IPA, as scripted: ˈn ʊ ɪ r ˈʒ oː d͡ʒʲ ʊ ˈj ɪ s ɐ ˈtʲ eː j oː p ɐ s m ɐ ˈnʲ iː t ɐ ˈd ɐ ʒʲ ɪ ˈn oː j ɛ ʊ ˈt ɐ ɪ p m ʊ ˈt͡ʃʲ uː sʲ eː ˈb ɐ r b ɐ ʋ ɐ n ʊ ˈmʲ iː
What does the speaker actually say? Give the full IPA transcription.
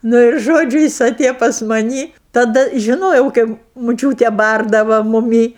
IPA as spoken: ˈn ʊ ɪ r ˈʒ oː d͡ʒʲ ʊ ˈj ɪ s ɐ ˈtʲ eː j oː p ɐ s m ɐ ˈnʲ iː t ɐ ˈd ɐ ʒʲ ɪ ˈn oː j ɛ ʊ ˈk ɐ ɪ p m ʊ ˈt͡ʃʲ uː tʲ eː ˈb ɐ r d ɐ ʋ ɐ m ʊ ˈmʲ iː